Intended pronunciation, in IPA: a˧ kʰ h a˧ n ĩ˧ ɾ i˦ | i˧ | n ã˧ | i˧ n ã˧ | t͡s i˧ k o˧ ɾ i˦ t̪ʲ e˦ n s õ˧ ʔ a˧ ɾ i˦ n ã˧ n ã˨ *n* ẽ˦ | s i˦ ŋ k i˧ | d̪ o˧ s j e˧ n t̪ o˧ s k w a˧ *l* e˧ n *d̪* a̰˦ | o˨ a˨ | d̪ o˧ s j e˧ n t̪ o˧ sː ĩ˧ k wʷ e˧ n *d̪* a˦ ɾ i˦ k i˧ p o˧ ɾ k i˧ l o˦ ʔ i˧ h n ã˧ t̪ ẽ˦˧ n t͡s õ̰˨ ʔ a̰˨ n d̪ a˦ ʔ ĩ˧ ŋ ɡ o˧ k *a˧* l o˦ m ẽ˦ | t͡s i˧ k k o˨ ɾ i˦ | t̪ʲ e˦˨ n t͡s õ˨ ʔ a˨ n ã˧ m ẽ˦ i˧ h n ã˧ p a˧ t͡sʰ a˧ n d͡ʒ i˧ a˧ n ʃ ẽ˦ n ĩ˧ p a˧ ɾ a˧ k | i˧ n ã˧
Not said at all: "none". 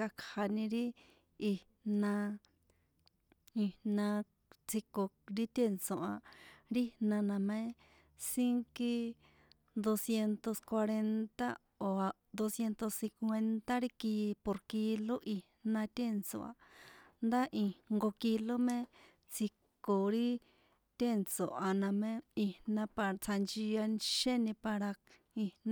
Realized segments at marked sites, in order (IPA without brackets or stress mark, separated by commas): m, ɾ, t̪, t̪, i˧